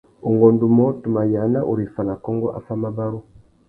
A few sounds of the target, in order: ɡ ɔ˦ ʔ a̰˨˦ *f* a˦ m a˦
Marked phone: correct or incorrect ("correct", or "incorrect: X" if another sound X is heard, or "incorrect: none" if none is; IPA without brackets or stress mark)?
correct